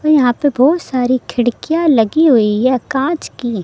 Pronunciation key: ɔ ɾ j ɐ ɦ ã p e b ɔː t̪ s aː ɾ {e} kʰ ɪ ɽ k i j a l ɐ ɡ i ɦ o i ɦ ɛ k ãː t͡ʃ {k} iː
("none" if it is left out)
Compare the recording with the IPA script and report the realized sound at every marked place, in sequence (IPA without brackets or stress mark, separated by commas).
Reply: i, k